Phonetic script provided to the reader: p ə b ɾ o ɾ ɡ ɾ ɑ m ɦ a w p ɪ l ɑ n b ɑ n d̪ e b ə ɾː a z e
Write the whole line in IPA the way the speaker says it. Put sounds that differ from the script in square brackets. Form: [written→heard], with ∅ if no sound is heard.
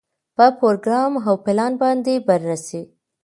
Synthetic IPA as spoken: p ə [b→p] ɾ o ɾ ɡ ɾ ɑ m ɦ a w p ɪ l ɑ n b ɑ n d̪ e b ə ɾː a [z→s] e